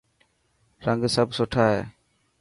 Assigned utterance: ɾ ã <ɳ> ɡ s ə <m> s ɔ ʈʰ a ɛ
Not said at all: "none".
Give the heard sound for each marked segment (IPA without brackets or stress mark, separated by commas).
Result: ŋ, b